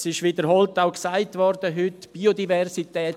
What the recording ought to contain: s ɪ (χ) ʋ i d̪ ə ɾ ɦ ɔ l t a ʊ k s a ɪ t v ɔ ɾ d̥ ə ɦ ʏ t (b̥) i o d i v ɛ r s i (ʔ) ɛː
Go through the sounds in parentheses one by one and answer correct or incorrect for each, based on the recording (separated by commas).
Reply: incorrect, correct, incorrect